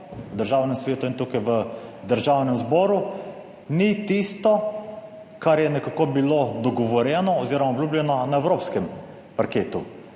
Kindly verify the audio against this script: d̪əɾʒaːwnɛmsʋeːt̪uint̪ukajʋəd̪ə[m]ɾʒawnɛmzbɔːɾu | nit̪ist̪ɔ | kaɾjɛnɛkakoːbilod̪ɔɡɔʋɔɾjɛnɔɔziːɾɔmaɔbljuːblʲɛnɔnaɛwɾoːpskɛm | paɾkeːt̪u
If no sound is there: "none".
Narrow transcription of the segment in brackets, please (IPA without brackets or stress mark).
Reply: none